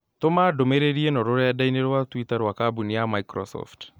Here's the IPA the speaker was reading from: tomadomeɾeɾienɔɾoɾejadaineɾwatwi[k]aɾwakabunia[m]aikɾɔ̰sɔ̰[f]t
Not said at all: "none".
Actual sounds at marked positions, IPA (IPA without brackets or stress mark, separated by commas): t, m, f